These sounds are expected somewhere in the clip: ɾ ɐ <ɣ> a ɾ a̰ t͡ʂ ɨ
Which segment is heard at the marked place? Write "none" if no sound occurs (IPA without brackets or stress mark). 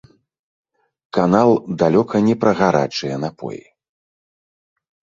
ɣ